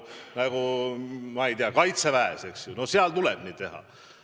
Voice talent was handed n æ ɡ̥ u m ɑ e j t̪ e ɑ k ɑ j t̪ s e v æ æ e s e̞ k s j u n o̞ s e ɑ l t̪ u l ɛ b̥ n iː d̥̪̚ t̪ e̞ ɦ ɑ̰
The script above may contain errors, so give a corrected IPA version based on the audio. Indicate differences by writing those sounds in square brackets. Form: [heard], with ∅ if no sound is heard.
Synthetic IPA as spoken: n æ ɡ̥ u m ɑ e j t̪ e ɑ k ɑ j t̪ s e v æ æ e s e̞ k s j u n o̞ s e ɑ l t̪ u l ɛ b̥ n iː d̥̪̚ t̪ e̞ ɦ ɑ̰